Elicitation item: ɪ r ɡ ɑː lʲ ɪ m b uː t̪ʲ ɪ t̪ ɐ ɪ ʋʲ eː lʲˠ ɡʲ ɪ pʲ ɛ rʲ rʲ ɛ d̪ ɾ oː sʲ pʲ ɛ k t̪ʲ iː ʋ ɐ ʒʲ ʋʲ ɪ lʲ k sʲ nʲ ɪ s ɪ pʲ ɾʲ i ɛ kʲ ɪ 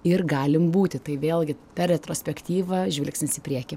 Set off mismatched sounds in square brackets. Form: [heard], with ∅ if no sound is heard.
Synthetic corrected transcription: ɪ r ɡ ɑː lʲ ɪ m b uː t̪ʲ ɪ t̪ ɐ ɪ ʋʲ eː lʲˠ ɡʲ ɪ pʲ ɛ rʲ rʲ ɛ [t̪] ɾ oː sʲ pʲ ɛ k t̪ʲ iː ʋ ɐ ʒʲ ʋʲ ɪ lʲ k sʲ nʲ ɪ s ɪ pʲ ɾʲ i ɛ kʲ ɪ